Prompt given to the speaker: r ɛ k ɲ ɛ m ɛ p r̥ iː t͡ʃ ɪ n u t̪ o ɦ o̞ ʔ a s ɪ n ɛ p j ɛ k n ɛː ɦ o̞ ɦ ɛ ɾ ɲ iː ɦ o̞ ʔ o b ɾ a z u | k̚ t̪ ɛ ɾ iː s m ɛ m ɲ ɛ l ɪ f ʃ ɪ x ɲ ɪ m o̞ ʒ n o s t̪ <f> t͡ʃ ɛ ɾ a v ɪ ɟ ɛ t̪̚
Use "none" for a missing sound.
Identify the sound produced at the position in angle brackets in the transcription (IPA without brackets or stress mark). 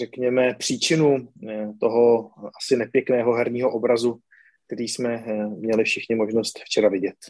f